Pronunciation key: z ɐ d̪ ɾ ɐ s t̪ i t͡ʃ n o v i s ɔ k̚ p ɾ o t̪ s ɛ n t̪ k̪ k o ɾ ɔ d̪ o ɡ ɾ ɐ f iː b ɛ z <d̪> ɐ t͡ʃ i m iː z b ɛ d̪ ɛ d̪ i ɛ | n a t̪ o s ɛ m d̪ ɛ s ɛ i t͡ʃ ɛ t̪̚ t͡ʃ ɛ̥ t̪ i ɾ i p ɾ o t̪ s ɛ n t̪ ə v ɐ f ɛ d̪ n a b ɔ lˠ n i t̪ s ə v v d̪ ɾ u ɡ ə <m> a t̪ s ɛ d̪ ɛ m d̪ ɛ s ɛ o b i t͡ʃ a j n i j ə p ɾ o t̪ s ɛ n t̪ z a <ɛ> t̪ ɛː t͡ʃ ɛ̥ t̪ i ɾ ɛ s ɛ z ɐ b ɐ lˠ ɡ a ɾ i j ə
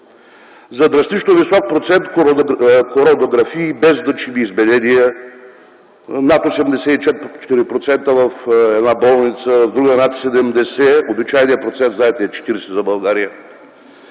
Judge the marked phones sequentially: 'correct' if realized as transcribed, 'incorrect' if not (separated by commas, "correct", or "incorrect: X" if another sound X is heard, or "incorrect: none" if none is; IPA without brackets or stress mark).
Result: correct, incorrect: n, correct